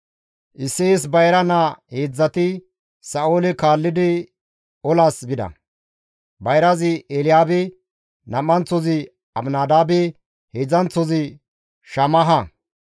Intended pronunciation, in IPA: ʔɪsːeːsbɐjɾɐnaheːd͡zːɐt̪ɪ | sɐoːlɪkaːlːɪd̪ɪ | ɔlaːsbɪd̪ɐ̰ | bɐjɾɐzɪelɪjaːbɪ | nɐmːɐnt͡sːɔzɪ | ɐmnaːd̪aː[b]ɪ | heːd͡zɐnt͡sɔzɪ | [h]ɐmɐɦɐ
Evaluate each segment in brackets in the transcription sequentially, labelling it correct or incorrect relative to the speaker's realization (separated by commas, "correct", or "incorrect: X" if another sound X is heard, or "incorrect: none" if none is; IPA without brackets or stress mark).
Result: correct, incorrect: ʃ